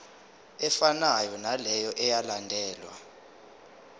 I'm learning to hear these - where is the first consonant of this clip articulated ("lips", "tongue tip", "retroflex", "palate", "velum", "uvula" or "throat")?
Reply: lips